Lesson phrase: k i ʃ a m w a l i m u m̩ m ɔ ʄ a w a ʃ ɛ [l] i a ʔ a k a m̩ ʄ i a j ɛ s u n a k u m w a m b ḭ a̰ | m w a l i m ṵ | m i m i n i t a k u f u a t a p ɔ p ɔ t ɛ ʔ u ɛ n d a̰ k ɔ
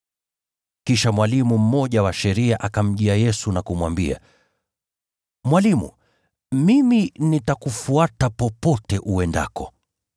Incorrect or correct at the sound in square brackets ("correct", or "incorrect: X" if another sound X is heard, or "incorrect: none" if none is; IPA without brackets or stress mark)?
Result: incorrect: ɾ